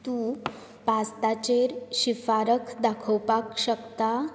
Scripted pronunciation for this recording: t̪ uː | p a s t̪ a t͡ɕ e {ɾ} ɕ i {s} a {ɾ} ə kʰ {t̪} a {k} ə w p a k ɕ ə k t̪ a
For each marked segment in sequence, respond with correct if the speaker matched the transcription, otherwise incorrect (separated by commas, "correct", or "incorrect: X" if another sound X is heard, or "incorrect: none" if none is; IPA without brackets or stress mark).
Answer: correct, incorrect: f, correct, incorrect: d̪, incorrect: kʰ